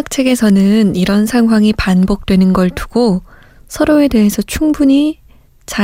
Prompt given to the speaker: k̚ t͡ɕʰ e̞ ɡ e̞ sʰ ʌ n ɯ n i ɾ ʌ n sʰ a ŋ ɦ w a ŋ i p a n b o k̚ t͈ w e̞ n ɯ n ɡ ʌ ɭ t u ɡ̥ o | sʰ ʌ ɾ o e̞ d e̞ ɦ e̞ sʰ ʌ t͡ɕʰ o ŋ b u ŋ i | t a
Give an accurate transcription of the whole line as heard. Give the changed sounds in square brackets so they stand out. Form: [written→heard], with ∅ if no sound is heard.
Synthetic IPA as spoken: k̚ t͡ɕʰ e̞ ɡ e̞ sʰ ʌ n ɯ n i ɾ ʌ n sʰ a ŋ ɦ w a ŋ i p a n b o k̚ t͈ w e̞ n ɯ n ɡ ʌ ɭ t u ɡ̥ o | sʰ ʌ ɾ o e̞ d e̞ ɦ e̞ sʰ ʌ t͡ɕʰ [o→u] ŋ b u [ŋ→ɲ] i | [t→t͡ɕ] a